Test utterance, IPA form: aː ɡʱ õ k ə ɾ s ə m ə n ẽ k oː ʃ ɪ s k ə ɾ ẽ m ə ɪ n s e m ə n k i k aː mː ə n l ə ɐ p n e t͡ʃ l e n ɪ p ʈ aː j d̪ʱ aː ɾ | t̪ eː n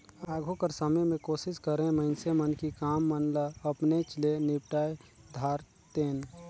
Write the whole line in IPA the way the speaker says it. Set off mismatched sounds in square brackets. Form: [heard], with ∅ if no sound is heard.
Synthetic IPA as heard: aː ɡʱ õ k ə ɾ s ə m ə [m] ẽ k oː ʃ ɪ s k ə ɾ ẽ m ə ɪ n s e m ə n k i k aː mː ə n l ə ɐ p n e t͡ʃ l e n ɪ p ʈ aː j d̪ʱ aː ɾ | t̪ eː n

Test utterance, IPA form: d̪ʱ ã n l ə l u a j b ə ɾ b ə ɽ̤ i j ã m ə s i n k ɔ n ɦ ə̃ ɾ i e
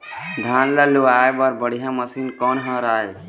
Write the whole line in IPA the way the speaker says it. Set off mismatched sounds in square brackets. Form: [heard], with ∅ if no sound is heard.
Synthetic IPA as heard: d̪ʱ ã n l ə l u a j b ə ɾ b ə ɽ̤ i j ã m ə s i n k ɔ n ɦ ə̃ ɾ [a] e

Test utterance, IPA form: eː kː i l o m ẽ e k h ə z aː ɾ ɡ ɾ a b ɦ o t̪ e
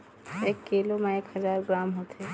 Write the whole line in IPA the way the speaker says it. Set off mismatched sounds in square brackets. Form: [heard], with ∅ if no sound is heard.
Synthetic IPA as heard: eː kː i l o m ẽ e k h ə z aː ɾ ɡ ɾ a [m] ɦ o t̪ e

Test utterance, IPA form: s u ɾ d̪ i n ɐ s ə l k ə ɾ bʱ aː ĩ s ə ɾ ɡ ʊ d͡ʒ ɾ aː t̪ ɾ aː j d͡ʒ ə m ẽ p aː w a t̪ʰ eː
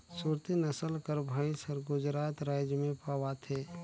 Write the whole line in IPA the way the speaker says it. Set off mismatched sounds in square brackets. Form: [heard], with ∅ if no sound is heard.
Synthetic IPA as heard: s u ɾ [t̪] i n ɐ s ə l k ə ɾ bʱ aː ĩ s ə ɾ ɡ ʊ d͡ʒ ɾ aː t̪ ɾ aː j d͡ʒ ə m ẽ p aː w a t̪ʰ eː

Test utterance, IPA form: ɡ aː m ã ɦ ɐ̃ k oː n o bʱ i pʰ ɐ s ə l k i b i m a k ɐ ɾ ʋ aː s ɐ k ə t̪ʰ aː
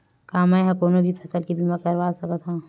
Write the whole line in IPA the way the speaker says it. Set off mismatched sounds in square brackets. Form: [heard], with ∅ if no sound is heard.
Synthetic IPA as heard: [k] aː m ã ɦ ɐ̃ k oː n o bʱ i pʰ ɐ s ə l k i b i m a k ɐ ɾ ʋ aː s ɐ k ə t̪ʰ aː

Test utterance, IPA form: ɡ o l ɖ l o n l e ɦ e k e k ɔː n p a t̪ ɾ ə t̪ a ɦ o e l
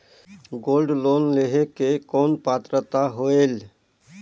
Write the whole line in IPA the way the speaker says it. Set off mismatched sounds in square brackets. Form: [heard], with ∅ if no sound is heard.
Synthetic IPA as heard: ɡ o l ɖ l o n l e ɦ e k e k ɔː n p a t̪ ɾ ə t̪ a ɦ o e l

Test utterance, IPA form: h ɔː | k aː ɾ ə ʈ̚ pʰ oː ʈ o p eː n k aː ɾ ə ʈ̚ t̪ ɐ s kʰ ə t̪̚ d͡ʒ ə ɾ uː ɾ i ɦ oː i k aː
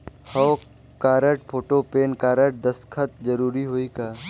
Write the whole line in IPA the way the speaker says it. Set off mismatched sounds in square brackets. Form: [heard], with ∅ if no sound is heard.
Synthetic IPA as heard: h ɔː | k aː ɾ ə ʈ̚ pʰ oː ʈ o p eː n k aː ɾ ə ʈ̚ [d̪] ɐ s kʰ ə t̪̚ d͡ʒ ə ɾ uː ɾ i ɦ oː i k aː

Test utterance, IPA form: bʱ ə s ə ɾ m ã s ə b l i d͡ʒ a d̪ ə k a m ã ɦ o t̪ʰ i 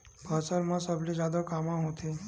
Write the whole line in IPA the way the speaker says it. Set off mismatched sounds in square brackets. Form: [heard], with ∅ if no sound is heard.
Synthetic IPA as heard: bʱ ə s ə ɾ m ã s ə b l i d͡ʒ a d̪ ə k a m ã ɦ o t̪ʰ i

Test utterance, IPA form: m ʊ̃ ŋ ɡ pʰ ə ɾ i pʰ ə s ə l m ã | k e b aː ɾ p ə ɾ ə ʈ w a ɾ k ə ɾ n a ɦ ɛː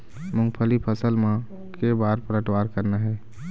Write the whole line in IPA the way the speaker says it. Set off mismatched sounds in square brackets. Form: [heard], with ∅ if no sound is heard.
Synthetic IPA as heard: m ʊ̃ ŋ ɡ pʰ ə [l] i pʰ ə s ə l m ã | k e b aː ɾ p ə ɾ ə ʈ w a ɾ k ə ɾ n a ɦ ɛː

